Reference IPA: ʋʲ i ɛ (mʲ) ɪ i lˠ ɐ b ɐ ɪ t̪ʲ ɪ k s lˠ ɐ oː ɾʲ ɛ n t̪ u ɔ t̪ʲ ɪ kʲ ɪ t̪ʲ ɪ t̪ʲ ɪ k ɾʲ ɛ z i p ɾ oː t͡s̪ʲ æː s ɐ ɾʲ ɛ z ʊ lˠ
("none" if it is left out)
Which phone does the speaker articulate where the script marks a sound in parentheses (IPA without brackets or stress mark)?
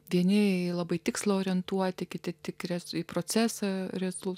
nʲ